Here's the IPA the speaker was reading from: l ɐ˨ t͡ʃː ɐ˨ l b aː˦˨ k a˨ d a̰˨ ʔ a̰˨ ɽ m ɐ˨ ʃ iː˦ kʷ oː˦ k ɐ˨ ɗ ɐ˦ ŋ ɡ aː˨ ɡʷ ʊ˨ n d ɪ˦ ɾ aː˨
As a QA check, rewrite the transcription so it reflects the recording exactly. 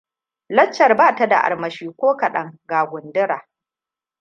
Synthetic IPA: l ɐ˦ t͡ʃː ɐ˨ r b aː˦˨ t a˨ d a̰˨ ʔ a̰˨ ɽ m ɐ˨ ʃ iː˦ kʷ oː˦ k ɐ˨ ɗ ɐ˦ ŋ ɡ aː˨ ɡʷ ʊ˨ n d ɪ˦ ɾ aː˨